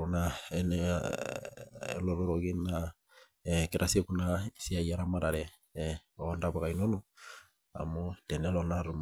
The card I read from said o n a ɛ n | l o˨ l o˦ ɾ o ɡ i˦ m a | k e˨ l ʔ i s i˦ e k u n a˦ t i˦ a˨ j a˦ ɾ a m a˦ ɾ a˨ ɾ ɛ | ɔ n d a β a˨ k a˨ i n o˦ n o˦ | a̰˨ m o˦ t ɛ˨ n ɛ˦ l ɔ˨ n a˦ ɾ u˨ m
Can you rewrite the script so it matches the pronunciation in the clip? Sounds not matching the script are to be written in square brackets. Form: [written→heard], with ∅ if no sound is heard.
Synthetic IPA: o n a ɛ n | l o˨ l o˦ ɾ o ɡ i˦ [m→n] a | k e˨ [l→ɾ] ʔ [i→a] s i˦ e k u n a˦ [t→s] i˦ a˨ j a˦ ɾ a m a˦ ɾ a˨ ɾ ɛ | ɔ n d a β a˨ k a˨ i n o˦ n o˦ | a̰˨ m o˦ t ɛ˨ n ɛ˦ l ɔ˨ n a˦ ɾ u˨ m